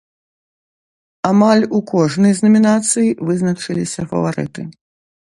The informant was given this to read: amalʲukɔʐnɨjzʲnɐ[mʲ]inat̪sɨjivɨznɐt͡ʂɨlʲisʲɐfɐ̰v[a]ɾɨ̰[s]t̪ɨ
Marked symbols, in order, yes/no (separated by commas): yes, yes, no